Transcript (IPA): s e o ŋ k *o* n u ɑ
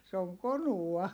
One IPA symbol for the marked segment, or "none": o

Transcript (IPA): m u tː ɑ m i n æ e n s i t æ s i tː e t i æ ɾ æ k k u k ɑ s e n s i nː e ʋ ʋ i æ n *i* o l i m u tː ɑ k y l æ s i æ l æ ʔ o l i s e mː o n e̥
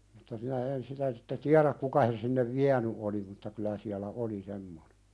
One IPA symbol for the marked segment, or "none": y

